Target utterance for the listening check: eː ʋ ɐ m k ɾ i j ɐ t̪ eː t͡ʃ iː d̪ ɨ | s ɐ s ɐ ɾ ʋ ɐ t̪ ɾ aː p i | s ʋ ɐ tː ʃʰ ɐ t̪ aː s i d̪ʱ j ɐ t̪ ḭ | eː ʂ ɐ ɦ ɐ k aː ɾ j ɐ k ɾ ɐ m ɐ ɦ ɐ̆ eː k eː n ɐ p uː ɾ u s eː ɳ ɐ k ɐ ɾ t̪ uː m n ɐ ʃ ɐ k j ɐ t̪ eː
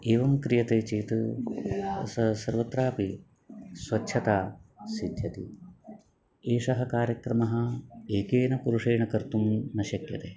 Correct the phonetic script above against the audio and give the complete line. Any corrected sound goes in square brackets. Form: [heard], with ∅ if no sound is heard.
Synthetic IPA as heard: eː ʋ ɐ m k ɾ i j ɐ t̪ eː t͡ʃ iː [t̪] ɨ | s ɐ s ɐ ɾ ʋ ɐ t̪ ɾ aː p i | s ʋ ɐ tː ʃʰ ɐ t̪ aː s i d̪ʱ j ɐ t̪ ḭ | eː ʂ ɐ ɦ ɐ k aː ɾ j ɐ k ɾ ɐ m ɐ ɦ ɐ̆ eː k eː n ɐ p [u] ɾ u [ʂ] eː ɳ ɐ k ɐ ɾ t̪ [u] m n ɐ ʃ ɐ k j ɐ t̪ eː